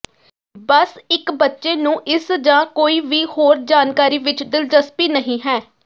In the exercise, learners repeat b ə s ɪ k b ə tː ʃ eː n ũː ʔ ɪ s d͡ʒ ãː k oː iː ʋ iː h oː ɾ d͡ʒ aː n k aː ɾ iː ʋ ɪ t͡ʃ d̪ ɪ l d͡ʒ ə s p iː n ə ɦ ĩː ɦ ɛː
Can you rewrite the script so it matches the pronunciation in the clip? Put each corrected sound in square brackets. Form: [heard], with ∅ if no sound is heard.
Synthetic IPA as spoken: b ə s ɪ k b ə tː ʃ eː n ũː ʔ ɪ s d͡ʒ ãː k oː iː ʋ iː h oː ɾ d͡ʒ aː n k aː ɾ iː ʋ ɪ t͡ʃ d̪ ɪ l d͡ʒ ə s p iː n ə ɦ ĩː ɦ ɛː